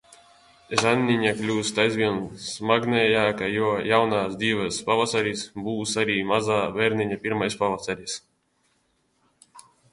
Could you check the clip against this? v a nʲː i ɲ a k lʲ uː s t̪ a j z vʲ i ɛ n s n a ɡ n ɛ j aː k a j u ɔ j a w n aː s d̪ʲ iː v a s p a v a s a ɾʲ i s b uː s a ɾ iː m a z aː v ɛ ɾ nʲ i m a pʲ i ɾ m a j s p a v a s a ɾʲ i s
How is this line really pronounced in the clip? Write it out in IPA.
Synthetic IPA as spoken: ʒ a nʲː i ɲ a k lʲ uː s t̪ a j z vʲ i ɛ n s m a ɡ n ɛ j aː k a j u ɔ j a w n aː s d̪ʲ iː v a s p a v a s a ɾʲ i s b uː s a ɾ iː m a z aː v ɛ ɾ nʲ i ɲ a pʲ i ɾ m a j s p a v a s a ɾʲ i s